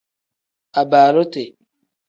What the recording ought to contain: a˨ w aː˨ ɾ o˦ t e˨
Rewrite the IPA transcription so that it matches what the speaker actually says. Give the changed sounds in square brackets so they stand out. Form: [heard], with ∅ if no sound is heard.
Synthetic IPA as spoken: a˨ [b] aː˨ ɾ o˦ t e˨